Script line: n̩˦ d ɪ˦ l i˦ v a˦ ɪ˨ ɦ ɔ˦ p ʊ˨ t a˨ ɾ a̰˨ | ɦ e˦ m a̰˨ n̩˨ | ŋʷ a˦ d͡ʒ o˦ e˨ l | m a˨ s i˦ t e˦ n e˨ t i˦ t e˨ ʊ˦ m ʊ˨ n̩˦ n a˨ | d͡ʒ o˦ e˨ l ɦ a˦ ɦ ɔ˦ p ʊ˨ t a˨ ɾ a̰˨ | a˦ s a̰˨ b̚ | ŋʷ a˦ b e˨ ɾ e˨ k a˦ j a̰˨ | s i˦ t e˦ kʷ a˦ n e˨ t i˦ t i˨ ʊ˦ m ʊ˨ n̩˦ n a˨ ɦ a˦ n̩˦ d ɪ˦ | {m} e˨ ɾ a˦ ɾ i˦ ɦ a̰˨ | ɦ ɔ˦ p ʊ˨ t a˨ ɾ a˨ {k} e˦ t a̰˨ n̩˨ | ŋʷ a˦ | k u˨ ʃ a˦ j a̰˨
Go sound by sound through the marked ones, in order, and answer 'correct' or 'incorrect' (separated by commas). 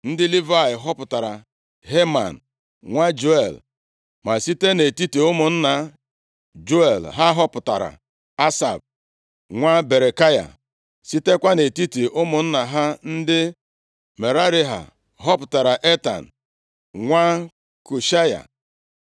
correct, incorrect